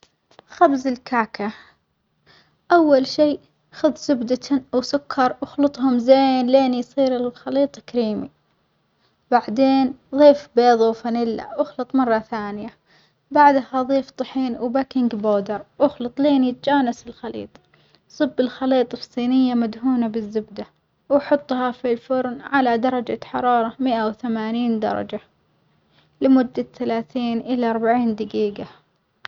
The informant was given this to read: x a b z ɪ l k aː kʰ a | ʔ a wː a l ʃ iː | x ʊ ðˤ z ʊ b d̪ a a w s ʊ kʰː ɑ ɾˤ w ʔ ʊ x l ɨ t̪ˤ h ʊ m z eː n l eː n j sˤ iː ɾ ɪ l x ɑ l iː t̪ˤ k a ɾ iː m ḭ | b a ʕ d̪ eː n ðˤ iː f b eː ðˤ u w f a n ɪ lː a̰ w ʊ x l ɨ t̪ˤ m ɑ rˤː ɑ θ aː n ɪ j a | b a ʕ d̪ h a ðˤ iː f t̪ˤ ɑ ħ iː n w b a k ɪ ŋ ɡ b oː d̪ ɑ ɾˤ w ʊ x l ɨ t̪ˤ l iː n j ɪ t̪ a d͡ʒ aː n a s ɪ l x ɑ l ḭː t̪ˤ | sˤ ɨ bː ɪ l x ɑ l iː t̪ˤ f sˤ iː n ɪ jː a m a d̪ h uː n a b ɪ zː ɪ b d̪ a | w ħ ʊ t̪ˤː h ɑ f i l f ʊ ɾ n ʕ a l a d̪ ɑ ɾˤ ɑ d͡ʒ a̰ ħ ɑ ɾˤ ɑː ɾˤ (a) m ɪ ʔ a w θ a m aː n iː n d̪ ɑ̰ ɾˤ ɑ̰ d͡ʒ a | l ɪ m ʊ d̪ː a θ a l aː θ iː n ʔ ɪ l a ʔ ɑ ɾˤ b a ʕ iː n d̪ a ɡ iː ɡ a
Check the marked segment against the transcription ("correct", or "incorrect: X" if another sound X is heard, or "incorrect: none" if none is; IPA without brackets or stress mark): incorrect: ɑ